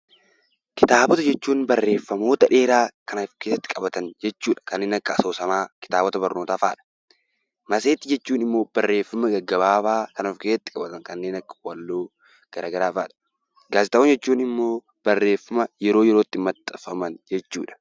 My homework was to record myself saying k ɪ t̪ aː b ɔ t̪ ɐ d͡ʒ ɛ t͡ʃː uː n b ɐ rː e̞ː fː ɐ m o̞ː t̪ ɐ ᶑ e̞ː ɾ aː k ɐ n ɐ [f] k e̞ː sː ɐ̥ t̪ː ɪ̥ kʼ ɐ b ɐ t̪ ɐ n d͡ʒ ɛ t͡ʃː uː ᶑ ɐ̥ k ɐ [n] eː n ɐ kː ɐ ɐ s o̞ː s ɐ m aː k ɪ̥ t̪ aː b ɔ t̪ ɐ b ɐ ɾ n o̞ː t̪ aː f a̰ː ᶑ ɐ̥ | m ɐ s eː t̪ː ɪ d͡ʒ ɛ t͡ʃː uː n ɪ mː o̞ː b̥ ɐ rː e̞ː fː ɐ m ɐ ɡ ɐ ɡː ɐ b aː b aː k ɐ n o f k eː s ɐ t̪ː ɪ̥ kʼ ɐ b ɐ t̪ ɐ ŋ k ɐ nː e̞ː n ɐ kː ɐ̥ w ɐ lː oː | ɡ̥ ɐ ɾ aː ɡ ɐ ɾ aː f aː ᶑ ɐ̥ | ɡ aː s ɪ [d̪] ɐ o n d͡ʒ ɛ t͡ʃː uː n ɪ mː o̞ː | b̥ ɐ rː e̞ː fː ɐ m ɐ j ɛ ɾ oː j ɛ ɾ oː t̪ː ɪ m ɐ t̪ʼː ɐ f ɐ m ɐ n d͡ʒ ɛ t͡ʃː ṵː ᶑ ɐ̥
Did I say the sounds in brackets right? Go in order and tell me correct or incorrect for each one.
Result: correct, incorrect: nː, incorrect: t̪

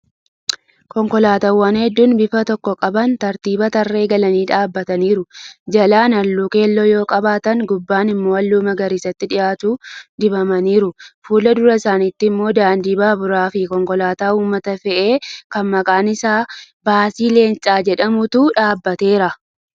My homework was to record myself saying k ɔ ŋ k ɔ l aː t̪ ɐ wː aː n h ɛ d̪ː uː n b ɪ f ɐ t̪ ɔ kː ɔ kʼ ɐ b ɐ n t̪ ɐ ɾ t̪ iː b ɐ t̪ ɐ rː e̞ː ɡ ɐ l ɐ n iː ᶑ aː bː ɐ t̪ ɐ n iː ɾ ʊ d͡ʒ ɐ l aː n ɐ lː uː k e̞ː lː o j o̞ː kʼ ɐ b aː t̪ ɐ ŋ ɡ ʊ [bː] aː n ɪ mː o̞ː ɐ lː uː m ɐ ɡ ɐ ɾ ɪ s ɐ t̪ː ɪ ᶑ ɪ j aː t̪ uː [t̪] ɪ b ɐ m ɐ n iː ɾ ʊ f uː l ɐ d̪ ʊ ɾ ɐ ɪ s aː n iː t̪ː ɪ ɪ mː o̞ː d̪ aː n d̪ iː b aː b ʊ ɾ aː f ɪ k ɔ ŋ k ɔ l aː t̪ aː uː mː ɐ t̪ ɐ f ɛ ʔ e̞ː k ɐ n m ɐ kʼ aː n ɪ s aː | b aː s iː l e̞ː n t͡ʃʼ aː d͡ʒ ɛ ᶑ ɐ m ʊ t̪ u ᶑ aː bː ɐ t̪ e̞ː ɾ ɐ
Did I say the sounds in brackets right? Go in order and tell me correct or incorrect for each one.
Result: correct, incorrect: d̪

